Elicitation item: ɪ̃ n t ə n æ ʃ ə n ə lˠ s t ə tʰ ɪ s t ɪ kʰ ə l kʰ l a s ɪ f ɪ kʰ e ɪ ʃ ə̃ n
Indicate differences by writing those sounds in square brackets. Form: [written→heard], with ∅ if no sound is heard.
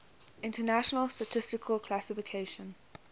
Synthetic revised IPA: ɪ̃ n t ə n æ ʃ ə n ə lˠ s t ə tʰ ɪ s t ɪ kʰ ə l kʰ l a s ɪ f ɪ kʰ e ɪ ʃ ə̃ n